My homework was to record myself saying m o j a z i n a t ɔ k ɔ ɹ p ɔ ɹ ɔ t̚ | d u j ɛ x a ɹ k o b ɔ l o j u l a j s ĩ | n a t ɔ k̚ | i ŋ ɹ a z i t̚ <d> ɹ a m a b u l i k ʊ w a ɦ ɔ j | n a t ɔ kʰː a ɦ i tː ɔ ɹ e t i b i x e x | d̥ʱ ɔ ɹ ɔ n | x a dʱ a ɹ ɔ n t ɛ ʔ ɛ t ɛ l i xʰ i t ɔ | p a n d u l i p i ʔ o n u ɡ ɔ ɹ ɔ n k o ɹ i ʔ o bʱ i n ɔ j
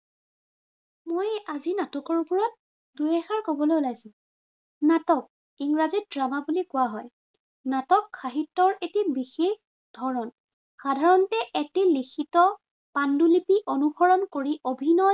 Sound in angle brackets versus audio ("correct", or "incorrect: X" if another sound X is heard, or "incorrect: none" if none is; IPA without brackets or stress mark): correct